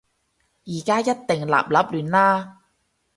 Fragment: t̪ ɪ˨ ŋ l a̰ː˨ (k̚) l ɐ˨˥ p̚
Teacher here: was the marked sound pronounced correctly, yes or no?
no